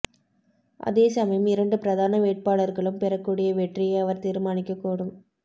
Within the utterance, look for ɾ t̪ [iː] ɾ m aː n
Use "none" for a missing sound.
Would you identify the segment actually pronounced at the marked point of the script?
iː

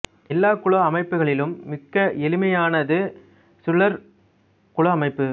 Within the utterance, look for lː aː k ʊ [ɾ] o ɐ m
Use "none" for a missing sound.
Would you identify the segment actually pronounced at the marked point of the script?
ɭ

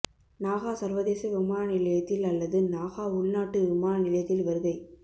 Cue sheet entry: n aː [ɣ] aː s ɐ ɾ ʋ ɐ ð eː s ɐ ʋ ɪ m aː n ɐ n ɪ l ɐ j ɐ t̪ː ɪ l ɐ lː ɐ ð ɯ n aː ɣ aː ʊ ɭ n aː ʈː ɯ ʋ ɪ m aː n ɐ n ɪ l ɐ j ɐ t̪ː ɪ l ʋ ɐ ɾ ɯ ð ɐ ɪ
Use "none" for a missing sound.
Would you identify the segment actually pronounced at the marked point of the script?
ɣ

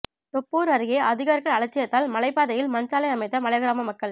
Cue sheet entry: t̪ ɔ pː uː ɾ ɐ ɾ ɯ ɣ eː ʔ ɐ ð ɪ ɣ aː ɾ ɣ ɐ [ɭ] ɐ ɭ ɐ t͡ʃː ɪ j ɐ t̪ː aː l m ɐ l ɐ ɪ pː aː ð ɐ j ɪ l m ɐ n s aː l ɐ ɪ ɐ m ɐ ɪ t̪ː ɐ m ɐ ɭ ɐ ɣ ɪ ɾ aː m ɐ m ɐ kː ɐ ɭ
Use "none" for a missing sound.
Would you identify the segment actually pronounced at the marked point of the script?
ɭ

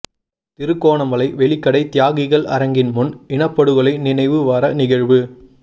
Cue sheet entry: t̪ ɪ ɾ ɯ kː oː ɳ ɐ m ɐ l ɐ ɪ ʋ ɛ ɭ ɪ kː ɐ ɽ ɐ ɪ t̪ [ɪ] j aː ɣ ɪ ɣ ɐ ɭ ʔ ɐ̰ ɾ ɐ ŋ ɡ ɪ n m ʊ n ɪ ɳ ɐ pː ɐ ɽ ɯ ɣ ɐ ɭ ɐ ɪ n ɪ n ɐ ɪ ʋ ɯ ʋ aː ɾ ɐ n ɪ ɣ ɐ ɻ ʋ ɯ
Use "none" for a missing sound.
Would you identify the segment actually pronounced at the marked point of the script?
ɪ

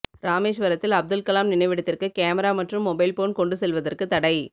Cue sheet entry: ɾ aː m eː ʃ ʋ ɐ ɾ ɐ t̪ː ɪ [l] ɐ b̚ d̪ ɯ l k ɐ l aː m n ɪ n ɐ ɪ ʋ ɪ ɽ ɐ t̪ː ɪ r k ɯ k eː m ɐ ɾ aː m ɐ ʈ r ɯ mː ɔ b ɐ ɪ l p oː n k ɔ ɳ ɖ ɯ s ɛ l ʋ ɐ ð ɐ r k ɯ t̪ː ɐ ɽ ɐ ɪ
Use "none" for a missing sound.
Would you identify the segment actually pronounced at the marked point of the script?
l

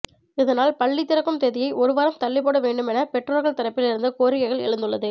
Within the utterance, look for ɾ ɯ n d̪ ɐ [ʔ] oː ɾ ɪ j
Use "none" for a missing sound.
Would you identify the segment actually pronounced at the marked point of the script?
k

